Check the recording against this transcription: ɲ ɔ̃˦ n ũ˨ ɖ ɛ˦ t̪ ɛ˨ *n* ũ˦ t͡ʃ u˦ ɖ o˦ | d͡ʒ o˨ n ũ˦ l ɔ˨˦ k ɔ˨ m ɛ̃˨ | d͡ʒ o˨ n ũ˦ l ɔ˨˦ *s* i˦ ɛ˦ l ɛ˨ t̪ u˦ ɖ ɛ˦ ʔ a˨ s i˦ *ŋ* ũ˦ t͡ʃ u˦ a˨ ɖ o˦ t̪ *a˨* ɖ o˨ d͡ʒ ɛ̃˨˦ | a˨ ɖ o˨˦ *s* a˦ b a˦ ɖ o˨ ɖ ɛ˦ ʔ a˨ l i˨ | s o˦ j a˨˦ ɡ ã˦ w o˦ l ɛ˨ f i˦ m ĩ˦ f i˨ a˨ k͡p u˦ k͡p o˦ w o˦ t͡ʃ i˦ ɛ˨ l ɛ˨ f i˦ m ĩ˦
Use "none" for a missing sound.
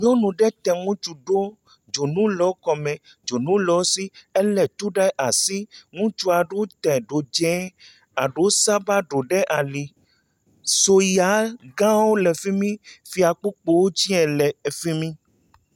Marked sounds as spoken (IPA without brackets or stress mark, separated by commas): ŋ, s, ŋ, ɛ˨, s